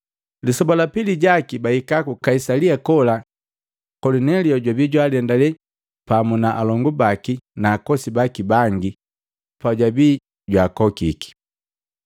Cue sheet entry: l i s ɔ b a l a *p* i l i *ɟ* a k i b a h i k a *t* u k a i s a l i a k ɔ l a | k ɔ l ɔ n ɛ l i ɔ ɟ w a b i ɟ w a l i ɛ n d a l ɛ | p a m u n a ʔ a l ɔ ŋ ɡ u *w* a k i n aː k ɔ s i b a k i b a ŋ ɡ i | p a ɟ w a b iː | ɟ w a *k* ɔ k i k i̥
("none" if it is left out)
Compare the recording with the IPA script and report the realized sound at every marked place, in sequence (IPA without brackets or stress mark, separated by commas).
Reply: p, ɟ, k, b, k